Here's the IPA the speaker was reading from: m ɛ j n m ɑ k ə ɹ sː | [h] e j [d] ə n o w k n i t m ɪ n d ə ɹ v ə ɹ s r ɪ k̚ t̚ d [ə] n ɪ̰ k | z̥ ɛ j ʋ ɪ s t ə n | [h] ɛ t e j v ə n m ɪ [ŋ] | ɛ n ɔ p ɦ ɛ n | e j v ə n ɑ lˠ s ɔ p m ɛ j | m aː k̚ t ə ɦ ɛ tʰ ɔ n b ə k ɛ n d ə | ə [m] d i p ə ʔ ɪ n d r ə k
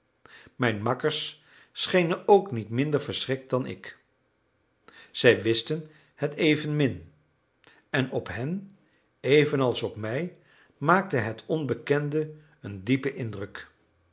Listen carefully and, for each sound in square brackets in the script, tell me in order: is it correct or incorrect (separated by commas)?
incorrect, incorrect, incorrect, correct, incorrect, incorrect